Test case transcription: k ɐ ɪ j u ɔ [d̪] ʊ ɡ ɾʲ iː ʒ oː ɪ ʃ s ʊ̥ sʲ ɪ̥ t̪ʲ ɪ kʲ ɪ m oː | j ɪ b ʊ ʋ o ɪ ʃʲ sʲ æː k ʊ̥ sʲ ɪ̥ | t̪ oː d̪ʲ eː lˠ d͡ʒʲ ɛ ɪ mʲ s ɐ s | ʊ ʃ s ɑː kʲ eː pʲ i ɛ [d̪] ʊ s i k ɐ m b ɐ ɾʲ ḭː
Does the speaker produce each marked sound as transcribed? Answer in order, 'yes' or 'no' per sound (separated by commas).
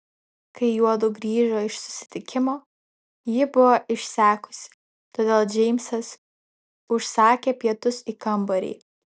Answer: yes, no